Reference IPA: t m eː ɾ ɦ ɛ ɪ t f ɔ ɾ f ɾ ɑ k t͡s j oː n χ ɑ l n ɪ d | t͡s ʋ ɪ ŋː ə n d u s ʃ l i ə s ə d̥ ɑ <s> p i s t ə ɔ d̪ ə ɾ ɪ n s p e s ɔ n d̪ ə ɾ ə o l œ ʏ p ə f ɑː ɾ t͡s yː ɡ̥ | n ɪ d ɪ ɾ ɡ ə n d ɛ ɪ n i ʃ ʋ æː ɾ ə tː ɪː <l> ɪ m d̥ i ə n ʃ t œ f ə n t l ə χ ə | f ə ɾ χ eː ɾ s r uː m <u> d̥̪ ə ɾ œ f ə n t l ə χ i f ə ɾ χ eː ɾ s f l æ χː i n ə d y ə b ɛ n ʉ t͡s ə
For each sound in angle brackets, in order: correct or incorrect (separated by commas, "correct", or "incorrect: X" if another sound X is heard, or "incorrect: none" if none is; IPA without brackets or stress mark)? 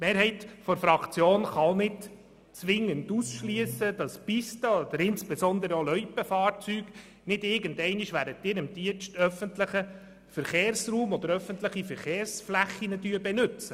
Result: correct, incorrect: ɾ, incorrect: ɔ